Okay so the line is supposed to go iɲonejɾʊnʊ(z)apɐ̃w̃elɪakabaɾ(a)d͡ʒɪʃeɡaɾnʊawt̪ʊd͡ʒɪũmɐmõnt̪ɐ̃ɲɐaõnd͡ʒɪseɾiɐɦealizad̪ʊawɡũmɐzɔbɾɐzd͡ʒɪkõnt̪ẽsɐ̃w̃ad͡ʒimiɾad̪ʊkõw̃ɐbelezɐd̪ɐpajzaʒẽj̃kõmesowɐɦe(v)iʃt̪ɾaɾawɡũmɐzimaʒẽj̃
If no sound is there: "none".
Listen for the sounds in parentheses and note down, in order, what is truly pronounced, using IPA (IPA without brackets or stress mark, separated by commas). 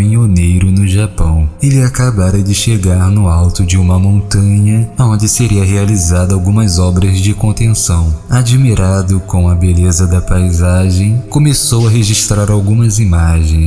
ʒ, ɐ, ʒ